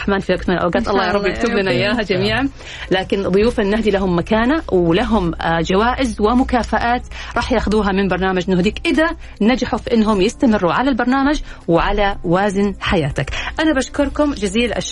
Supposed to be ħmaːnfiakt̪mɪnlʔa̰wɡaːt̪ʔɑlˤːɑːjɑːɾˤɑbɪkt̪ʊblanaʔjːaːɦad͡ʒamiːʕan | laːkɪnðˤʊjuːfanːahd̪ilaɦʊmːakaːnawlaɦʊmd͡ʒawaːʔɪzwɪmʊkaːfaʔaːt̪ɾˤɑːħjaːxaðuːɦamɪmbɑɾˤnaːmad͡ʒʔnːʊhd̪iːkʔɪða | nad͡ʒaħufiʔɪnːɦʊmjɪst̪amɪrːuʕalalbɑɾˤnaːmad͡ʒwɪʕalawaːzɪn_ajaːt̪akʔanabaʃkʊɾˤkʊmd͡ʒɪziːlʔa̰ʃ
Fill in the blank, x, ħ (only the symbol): ħ